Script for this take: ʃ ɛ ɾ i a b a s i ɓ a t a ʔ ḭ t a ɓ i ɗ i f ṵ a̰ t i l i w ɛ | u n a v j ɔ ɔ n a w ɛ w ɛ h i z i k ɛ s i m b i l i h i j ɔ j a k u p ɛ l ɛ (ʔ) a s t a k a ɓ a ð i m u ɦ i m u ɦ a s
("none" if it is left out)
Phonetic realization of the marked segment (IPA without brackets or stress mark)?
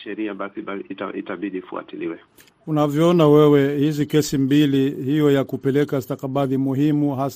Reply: k